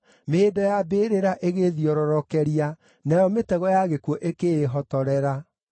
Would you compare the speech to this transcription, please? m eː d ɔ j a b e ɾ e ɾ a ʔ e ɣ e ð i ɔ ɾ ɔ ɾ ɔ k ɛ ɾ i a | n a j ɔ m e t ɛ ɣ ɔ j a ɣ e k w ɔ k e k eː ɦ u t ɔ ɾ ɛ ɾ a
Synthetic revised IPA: m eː d ɔ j a b e ɾ e ɾ a ʔ e ɣ e ð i ɔ ɾ ɔ ɾ ɔ k ɛ ɾ i a | n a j ɔ m e t ɛ ɣ ɔ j a ɣ e k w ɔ ʔ e k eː ɦ ɔ t ɔ ɾ ɛ ɾ a